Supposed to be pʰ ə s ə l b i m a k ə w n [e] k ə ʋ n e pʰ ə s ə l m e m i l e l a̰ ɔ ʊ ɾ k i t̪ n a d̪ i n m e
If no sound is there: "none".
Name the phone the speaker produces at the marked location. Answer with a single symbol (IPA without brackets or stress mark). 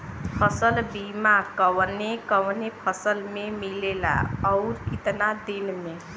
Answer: e